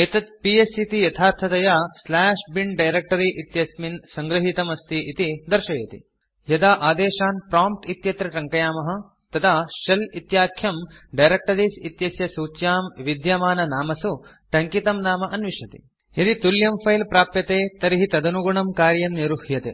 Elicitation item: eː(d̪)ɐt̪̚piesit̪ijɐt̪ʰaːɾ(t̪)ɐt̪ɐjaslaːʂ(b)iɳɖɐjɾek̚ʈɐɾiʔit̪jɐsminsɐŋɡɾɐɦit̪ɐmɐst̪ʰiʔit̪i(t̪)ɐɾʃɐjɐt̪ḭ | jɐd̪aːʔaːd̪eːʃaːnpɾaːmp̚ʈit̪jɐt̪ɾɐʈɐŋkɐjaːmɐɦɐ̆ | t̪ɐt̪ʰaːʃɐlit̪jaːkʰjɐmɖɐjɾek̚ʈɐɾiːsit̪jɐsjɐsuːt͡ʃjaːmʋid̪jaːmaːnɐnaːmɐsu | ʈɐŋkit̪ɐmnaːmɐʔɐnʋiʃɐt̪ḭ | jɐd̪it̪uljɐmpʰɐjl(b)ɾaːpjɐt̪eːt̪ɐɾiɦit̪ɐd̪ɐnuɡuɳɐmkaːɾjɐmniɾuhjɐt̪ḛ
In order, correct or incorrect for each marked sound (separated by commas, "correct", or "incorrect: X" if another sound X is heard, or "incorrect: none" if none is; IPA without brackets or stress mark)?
incorrect: t̪, incorrect: t̪ʰ, correct, incorrect: d̪, incorrect: p